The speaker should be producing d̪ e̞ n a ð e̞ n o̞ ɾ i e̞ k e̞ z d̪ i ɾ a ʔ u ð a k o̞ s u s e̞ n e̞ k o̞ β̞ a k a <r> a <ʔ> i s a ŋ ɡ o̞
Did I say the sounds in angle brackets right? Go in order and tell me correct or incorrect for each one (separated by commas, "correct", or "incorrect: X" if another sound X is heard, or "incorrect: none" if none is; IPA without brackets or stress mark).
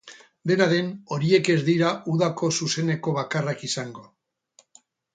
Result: correct, incorrect: k